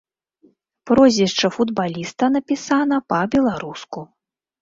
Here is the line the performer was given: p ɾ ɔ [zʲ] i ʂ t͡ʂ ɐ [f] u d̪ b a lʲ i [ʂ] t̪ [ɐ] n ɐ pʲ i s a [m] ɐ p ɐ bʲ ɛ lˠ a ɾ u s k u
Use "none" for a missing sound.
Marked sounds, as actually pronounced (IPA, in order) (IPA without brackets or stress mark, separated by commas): zʲ, f, s, ɐ, n